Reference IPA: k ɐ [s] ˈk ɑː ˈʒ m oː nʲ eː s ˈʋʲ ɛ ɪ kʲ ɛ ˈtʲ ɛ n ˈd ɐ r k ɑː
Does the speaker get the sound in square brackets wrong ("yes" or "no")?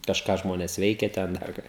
yes